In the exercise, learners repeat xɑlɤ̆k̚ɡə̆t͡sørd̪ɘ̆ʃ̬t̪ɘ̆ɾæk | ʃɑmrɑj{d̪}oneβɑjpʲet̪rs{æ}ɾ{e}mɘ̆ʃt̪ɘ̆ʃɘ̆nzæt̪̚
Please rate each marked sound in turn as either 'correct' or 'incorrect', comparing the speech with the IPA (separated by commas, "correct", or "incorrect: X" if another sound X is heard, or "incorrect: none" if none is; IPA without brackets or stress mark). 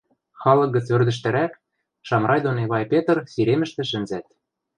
correct, incorrect: i, correct